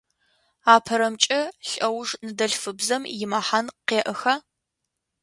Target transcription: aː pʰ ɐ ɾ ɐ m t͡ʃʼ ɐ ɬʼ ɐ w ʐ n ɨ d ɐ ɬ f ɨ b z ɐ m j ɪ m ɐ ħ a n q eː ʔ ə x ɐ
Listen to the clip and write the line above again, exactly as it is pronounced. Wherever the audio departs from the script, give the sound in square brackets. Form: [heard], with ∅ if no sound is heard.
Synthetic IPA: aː pʰ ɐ ɾ ɐ m t͡ʃʼ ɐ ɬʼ ɐ w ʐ n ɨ d ɐ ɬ f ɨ b z ɐ m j ɪ m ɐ ħ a n q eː ʔ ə x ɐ